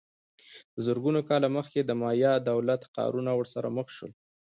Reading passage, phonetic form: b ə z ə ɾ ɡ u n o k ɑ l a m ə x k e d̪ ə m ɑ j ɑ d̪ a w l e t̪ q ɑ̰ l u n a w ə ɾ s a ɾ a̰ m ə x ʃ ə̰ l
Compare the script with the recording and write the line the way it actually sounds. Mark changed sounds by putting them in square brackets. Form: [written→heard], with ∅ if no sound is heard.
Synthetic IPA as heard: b ə z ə ɾ ɡ u n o k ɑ l a m ə x k e d̪ ə m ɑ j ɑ d̪ a w l [e→a] t̪ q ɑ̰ [l→ɾ] u n a w ə ɾ s a ɾ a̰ m ə x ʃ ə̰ l